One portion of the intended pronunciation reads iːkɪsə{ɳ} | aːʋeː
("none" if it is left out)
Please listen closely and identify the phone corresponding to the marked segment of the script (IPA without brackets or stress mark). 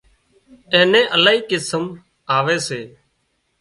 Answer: m